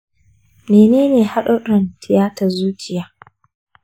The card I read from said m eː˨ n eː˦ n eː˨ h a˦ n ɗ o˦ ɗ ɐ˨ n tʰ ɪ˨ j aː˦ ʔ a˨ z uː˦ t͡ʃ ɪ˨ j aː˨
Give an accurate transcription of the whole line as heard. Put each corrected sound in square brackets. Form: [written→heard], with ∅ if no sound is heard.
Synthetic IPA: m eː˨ n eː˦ n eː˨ h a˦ [n→∅] ɗ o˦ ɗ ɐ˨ n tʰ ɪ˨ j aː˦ [ʔ→t] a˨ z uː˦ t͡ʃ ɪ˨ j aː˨